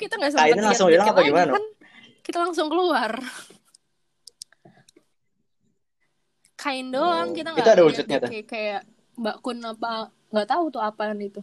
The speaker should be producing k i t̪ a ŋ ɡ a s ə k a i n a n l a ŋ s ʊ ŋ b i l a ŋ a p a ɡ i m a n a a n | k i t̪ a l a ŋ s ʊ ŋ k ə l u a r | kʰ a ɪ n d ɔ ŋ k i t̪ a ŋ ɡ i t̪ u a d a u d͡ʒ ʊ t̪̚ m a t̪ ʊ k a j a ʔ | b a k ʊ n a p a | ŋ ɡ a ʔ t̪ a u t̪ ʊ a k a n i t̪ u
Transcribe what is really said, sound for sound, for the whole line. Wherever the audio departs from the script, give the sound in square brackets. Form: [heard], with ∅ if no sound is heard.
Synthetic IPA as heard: k i t̪ a ŋ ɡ a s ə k a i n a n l a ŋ s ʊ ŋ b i l a ŋ a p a ɡ i m a n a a n | k i t̪ a l a ŋ s ʊ ŋ k ə l u a r | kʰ a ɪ n d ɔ ŋ k i t̪ a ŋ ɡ i t̪ u a d a u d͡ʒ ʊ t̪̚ [ɲ] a t̪ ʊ k a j a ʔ | b a k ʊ n a p a | ŋ ɡ a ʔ t̪ a u t̪ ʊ a [p] a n i t̪ u